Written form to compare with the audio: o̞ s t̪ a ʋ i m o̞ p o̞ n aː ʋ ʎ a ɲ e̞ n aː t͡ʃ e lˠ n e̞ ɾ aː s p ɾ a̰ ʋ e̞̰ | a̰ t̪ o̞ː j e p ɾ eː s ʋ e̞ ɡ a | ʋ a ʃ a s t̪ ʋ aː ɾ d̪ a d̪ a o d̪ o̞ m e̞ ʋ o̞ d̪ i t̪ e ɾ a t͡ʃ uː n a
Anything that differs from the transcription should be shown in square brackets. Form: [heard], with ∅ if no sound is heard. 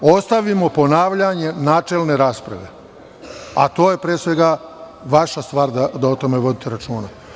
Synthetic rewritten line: o̞ s t̪ a ʋ i m o̞ p o̞ n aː ʋ ʎ a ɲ e̞ n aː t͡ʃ e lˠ n e̞ ɾ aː s p ɾ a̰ ʋ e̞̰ | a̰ t̪ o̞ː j e p ɾ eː s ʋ e̞ ɡ a | ʋ a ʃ a s t̪ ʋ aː ɾ d̪ a d̪ a o [t̪] o̞ m e̞ ʋ o̞ d̪ i t̪ e ɾ a t͡ʃ uː n a